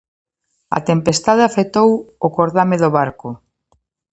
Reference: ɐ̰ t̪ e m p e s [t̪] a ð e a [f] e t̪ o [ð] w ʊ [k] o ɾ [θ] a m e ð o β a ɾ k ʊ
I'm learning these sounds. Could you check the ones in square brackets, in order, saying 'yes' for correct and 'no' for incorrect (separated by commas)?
yes, yes, no, yes, no